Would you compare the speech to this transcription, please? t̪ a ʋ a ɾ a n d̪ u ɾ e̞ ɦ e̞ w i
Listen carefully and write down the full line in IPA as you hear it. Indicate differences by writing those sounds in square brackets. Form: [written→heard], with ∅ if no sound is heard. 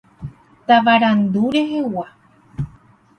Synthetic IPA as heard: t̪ a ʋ a ɾ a n d̪ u ɾ e̞ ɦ e̞ w [i→a]